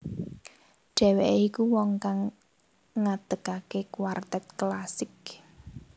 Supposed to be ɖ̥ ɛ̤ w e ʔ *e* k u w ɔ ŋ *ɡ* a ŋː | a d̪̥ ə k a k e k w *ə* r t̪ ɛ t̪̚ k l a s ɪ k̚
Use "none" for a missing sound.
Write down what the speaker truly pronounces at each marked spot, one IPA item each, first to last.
i, k, a

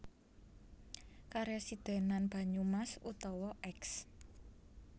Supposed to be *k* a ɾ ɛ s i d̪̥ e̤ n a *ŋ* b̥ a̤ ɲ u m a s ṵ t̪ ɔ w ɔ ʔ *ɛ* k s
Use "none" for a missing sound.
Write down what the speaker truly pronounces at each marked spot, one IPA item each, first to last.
k, n, ɛ

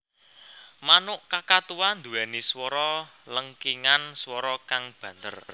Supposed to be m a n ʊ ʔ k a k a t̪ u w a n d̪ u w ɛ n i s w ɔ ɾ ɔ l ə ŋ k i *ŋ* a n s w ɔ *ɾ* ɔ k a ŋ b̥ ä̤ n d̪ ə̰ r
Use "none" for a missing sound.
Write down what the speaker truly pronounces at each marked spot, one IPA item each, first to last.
ŋ, ɾ

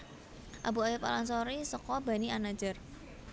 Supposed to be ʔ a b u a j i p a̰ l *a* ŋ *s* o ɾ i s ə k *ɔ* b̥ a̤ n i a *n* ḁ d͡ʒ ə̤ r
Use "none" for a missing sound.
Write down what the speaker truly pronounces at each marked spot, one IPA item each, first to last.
a, s, ɔ, n

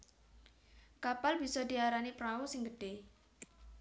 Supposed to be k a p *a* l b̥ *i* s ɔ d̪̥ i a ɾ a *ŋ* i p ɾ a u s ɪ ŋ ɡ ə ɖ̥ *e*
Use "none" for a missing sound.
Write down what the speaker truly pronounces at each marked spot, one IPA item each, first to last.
a, i, n, e

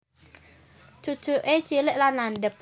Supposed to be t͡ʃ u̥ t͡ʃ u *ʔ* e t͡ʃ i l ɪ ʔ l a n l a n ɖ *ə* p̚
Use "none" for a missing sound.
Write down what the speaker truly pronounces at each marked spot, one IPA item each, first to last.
ʔ, ə

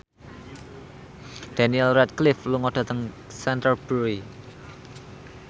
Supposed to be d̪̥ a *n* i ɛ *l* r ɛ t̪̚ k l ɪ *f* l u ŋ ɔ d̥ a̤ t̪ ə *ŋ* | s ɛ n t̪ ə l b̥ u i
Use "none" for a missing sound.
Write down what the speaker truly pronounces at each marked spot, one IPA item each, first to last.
n, l, f, ŋ

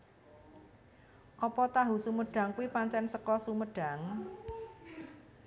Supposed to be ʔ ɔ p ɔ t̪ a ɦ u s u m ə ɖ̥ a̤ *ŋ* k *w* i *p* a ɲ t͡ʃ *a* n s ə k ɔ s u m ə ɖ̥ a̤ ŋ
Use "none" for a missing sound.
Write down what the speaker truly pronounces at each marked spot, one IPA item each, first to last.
ŋ, u, p, ɛ

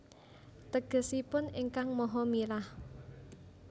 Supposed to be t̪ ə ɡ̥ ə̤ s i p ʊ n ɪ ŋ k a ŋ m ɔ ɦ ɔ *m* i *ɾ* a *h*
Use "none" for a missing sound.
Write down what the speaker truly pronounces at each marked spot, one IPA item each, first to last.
m, l, h

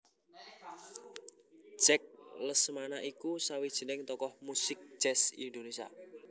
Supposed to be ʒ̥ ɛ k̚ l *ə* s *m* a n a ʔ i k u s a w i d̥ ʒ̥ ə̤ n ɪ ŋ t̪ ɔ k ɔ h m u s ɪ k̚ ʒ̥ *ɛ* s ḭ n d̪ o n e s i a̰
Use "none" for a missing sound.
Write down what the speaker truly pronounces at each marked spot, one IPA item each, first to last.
ə, m, ɛ

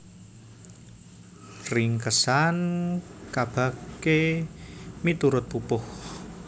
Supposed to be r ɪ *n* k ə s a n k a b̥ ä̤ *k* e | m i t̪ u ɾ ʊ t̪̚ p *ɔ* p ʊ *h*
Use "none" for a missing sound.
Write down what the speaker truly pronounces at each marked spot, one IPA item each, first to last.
ŋ, k, u, h

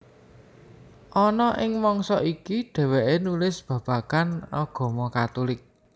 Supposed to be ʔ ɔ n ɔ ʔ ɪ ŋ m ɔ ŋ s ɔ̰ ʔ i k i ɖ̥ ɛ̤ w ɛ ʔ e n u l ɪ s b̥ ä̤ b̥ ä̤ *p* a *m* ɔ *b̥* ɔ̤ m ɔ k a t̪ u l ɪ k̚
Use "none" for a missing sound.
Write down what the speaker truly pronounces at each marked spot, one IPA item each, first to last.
k, n, ɡ̥

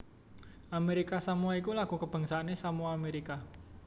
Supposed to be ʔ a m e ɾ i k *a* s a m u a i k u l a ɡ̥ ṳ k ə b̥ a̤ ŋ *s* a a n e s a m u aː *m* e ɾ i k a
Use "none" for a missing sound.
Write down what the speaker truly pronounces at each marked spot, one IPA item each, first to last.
a, s, m

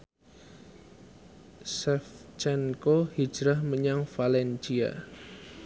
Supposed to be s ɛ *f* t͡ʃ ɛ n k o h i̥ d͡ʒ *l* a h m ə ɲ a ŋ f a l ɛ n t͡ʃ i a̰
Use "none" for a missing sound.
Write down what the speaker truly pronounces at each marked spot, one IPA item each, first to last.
f, ɾ

